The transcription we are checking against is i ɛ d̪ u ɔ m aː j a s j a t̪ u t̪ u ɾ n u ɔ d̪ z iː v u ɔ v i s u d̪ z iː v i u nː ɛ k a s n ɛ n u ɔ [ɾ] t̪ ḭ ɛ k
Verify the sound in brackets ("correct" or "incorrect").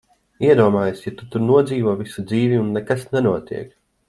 incorrect